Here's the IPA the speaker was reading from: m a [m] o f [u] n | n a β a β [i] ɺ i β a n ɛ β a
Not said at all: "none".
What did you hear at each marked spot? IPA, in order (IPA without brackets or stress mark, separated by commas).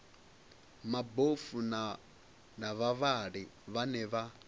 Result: b, u, a